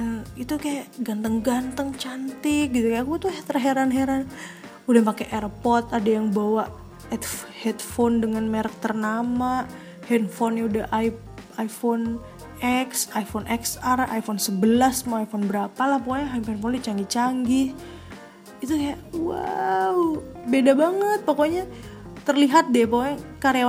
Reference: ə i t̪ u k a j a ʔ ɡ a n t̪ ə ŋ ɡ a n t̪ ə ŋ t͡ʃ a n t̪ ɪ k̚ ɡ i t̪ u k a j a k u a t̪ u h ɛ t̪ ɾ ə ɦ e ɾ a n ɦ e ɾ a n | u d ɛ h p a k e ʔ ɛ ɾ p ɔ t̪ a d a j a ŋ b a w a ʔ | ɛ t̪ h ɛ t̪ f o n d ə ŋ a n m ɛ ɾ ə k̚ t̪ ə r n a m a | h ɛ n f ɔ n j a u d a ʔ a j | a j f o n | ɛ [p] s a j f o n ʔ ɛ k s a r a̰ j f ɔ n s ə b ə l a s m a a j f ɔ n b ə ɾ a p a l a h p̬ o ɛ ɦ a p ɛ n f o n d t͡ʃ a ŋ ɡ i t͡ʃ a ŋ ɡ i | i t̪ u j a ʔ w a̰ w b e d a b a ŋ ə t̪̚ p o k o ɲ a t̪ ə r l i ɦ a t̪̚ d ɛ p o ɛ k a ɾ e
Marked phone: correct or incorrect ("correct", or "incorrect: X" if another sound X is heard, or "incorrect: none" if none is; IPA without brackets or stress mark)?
incorrect: k